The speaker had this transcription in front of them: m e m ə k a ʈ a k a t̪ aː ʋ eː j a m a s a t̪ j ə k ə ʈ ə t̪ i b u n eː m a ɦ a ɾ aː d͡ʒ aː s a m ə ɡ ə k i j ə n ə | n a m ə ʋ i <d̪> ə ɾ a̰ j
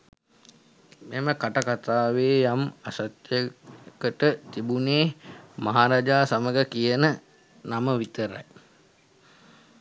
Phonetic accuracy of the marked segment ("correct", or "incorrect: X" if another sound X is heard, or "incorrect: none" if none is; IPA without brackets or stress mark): incorrect: t̪